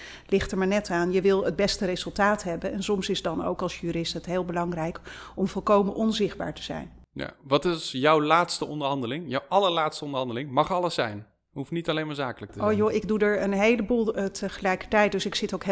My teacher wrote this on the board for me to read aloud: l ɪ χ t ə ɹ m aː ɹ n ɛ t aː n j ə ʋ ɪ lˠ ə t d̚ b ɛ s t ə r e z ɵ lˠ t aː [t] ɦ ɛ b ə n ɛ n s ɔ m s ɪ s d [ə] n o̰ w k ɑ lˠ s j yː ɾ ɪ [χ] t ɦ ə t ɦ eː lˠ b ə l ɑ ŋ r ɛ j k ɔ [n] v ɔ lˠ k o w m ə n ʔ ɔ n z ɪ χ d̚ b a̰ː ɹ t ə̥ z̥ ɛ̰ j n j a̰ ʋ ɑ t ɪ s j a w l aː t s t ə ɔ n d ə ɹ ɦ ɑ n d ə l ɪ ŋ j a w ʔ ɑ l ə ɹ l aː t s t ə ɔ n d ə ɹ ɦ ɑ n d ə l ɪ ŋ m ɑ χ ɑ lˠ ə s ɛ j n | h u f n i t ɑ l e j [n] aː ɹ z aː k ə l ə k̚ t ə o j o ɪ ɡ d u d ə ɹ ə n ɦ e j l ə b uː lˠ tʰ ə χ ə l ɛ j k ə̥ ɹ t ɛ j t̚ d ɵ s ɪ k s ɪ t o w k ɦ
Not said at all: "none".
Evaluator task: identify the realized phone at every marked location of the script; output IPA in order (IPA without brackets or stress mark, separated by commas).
t, ɑ, s, m, m